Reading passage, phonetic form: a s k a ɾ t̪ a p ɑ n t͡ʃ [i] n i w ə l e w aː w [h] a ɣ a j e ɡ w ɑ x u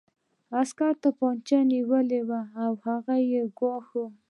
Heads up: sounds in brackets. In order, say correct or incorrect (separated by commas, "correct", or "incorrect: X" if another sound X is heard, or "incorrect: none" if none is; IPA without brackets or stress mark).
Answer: incorrect: a, correct